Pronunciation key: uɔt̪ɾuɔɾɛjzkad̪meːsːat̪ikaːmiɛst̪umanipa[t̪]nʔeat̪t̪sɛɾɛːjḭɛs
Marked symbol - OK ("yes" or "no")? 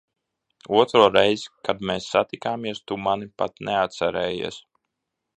yes